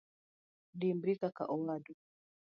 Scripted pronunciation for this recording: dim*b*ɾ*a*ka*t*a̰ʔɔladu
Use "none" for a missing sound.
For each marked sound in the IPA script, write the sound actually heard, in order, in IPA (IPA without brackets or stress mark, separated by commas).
b, i, k